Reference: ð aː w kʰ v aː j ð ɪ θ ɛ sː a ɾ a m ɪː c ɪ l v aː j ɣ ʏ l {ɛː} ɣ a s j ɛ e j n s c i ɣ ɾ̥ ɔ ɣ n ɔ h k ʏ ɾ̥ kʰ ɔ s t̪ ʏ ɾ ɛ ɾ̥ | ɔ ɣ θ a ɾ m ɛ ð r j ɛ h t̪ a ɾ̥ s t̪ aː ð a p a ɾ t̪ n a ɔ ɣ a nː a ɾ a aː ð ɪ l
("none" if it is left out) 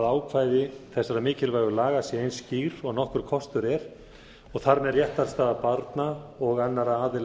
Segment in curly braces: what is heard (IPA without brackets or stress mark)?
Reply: aː